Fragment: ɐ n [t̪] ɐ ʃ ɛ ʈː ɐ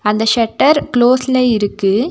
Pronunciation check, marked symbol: incorrect: d̪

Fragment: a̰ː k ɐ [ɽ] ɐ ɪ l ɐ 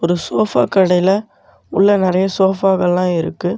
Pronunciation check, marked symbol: correct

